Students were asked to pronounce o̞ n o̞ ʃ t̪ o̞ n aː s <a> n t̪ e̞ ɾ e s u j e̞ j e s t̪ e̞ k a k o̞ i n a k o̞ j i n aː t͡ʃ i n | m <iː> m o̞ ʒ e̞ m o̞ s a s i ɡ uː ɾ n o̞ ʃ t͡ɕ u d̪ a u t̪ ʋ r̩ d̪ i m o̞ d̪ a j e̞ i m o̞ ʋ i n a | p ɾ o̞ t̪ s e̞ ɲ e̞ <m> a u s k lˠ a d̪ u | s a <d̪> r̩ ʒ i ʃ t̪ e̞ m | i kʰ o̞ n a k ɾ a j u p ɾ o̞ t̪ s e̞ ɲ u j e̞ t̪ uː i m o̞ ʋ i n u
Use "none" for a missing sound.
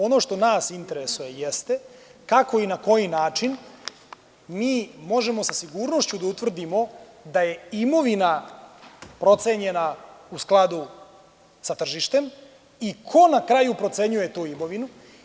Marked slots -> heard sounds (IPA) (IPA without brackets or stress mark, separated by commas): i, iː, n, t̪